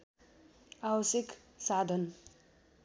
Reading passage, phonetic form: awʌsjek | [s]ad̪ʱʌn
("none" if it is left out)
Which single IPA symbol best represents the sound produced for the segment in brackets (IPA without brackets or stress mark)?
s